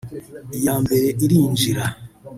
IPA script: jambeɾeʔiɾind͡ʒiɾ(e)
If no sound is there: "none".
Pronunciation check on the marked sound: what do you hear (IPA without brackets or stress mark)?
a